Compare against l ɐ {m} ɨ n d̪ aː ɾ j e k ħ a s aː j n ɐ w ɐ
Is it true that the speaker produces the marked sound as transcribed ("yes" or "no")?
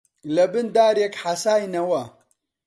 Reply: no